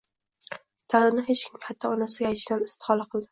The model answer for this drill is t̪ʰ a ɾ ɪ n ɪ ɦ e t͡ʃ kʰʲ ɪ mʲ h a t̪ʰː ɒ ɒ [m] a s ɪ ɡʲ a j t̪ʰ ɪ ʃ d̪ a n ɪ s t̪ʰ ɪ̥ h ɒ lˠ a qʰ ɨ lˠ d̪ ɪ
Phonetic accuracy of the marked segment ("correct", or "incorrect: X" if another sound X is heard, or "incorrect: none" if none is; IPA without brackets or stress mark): incorrect: n